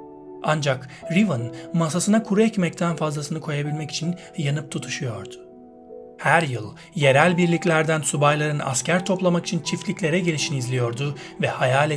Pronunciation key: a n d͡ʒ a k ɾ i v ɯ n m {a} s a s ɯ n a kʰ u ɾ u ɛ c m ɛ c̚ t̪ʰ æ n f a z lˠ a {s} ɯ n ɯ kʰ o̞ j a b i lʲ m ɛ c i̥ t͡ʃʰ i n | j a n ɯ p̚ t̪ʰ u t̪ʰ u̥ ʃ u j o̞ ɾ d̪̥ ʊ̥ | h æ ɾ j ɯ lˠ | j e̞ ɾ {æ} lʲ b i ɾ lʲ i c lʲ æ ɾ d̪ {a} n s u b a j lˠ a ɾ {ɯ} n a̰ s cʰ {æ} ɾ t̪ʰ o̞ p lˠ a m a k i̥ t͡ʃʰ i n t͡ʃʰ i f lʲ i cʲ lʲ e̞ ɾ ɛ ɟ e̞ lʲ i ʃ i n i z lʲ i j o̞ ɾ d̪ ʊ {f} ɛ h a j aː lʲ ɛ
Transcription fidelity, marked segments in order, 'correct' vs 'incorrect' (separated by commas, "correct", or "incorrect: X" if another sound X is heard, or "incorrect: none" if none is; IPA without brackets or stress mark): correct, correct, correct, incorrect: æ, correct, correct, incorrect: v